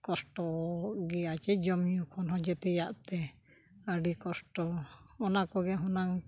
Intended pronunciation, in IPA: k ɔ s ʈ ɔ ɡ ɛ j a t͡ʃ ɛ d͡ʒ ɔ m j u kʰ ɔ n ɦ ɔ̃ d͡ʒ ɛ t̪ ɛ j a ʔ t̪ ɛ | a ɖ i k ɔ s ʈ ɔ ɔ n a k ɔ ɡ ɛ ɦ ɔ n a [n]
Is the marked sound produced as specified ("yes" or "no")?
no